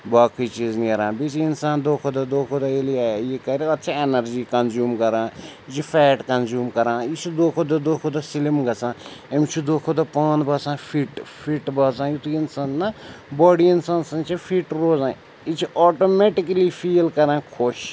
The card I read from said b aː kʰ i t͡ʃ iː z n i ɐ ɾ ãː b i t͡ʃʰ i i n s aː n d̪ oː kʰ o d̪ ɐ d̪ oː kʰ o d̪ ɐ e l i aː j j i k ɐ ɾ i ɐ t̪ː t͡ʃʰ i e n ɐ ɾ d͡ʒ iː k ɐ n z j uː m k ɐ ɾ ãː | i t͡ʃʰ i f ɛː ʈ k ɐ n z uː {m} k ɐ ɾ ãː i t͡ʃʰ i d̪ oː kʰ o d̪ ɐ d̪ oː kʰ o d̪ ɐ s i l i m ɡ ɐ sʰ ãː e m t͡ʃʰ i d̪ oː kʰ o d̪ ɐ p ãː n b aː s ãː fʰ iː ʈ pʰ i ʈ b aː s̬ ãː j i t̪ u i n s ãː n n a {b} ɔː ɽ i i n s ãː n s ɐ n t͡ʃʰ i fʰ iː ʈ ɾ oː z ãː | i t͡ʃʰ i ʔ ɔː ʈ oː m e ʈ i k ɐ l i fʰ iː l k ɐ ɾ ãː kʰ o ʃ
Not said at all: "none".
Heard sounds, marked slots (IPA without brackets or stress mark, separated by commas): m, b